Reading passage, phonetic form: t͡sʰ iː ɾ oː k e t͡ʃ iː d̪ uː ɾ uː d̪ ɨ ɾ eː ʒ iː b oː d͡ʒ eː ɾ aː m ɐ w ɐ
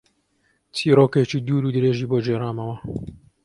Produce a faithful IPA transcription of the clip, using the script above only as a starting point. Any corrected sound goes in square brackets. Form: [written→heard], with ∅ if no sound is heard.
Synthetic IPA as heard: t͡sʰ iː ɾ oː k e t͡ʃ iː d̪ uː ɾ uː d̪ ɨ ɾ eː ʒ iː b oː d͡ʒ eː ɾ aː m ɐ w ɐ